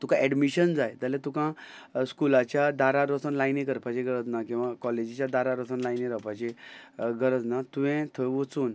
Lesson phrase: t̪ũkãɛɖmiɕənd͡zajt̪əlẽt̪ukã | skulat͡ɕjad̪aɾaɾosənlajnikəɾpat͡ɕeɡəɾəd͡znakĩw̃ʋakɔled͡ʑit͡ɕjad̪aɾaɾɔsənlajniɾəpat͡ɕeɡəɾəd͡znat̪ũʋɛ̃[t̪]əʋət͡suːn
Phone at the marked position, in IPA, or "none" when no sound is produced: t̪ʰ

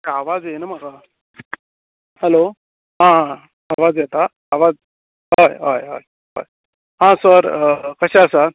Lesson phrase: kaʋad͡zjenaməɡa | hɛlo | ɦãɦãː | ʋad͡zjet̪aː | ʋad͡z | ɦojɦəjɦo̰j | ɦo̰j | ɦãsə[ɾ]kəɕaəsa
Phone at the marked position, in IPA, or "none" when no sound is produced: ɾ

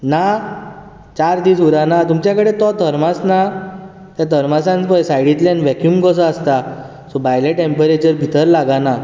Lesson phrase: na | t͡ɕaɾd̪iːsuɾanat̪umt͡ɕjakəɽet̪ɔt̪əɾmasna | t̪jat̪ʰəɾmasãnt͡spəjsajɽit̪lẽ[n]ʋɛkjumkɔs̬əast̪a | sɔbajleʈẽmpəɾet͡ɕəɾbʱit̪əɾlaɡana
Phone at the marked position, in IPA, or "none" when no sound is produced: n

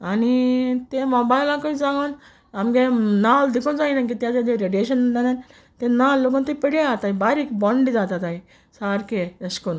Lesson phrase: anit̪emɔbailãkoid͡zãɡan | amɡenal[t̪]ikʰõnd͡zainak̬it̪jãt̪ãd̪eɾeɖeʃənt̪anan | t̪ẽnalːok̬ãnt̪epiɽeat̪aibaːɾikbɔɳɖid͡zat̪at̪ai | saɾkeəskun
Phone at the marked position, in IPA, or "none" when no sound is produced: d̪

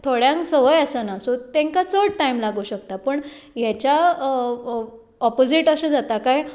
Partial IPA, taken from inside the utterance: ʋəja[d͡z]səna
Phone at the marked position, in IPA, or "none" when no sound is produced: none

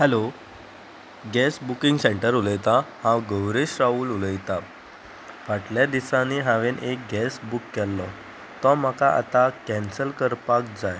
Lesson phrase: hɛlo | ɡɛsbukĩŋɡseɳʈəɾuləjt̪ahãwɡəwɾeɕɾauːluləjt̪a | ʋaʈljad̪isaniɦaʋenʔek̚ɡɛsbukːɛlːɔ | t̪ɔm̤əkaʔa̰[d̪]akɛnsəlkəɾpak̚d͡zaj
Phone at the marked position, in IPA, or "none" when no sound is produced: t̪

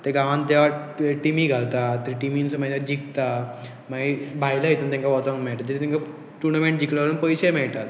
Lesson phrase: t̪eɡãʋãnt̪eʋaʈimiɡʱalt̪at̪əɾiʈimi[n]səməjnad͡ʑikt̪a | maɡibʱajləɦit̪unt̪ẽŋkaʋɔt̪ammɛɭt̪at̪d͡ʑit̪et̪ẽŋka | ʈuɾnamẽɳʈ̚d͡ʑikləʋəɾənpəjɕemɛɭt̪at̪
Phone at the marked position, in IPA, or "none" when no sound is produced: n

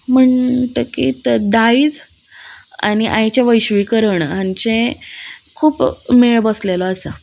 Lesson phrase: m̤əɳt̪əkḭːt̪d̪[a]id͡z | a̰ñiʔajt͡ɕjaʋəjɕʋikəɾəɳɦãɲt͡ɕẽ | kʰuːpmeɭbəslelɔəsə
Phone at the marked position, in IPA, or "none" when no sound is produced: a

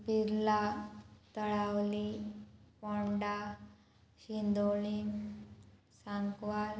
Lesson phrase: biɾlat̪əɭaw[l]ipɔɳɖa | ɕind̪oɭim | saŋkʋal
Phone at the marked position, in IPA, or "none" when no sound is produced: l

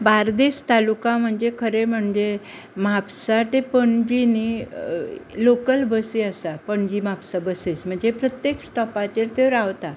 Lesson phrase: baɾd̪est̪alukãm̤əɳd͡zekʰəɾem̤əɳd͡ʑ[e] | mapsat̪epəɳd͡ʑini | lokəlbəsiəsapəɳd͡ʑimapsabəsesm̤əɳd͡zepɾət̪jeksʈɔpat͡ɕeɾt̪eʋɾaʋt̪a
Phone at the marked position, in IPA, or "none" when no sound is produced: e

